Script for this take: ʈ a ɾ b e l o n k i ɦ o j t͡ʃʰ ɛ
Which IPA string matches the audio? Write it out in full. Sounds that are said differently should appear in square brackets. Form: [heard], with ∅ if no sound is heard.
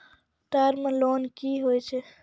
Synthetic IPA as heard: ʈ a ɾ [m] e l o n k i ɦ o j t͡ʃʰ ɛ